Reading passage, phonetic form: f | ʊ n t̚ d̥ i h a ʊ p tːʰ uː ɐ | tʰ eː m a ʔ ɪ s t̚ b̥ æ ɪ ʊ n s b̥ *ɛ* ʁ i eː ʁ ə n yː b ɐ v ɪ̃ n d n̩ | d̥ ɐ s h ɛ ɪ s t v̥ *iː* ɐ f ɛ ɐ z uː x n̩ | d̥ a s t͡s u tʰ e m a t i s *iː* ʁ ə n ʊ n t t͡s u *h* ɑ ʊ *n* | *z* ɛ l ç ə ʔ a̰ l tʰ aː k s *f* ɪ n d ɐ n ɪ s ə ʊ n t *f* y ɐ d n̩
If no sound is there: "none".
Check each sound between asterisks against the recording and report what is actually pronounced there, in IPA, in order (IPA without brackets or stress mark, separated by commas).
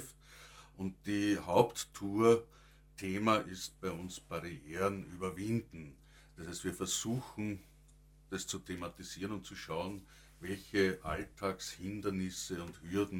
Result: a, iː, iː, ʃ, n, v, h, h